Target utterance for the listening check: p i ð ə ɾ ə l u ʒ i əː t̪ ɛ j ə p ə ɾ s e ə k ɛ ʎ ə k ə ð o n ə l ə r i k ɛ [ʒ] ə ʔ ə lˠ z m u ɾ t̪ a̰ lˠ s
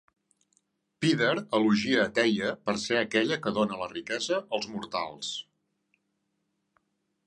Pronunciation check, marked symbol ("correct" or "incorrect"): incorrect